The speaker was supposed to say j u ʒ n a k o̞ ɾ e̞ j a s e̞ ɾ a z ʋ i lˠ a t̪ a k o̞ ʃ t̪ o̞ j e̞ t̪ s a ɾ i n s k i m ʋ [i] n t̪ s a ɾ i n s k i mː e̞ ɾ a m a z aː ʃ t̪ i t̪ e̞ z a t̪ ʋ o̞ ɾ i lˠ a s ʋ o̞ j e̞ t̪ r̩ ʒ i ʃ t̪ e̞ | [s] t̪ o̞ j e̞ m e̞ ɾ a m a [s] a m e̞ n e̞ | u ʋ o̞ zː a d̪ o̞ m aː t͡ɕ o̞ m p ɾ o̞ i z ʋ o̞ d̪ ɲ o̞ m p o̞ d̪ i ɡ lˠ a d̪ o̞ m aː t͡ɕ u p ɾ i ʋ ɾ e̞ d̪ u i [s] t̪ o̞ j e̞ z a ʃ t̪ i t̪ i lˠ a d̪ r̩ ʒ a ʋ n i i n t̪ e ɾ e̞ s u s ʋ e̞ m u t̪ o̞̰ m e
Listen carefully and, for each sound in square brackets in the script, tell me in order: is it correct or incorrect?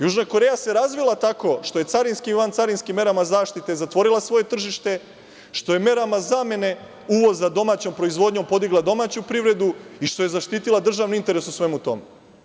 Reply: incorrect: a, incorrect: ʃ, incorrect: z, incorrect: ʃ

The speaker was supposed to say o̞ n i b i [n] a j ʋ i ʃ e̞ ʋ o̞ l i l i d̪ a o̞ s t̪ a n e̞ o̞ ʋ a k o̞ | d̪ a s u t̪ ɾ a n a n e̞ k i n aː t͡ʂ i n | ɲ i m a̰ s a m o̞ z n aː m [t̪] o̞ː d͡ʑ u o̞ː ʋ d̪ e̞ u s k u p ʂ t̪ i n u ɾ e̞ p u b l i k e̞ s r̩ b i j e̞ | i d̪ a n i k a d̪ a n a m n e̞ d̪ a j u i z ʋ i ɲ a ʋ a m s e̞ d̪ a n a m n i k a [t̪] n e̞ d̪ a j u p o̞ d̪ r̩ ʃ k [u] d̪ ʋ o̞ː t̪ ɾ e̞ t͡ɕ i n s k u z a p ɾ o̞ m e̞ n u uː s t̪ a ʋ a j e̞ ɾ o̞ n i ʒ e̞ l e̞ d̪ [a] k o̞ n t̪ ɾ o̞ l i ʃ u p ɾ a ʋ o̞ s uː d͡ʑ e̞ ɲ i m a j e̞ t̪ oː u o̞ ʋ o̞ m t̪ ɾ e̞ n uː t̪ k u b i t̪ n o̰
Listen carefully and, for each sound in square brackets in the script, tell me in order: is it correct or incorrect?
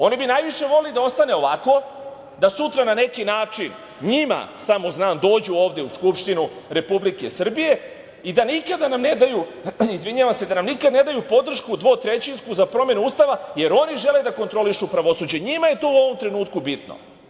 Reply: correct, incorrect: d̪, incorrect: d̪, correct, correct

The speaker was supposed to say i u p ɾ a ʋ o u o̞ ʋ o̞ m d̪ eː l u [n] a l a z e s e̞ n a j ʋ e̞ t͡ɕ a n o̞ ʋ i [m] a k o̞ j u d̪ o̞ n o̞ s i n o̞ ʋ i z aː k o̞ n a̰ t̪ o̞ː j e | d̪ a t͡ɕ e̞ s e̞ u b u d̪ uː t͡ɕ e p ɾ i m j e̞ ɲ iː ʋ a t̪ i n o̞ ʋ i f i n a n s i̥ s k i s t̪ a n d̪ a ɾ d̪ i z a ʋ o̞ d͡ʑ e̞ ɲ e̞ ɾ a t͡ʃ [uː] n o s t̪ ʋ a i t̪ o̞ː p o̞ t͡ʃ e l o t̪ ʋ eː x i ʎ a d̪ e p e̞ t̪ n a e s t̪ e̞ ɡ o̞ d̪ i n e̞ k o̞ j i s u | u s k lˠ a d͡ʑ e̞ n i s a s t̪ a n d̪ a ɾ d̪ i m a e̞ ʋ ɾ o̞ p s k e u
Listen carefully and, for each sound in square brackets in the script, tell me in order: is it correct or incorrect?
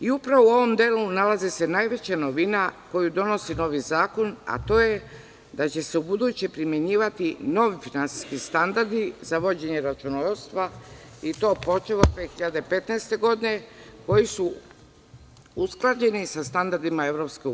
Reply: correct, incorrect: n, incorrect: u

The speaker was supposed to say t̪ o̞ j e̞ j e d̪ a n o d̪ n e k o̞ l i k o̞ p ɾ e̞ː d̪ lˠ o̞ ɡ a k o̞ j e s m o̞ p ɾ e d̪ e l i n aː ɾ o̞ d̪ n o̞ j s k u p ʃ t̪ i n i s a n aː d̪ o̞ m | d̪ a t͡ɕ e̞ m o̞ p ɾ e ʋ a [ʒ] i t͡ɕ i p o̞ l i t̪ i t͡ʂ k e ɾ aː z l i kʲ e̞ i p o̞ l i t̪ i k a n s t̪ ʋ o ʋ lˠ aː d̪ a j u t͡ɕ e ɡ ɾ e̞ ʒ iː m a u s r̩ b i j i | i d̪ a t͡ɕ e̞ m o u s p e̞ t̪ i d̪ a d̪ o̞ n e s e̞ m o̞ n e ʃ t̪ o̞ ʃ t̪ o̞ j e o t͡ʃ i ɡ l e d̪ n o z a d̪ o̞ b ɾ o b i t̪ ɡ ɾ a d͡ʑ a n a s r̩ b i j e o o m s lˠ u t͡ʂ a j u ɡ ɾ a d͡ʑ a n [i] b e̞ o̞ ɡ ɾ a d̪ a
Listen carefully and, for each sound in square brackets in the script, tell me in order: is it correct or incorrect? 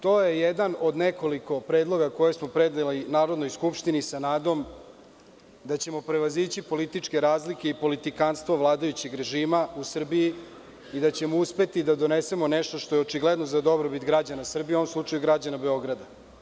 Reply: incorrect: z, incorrect: a

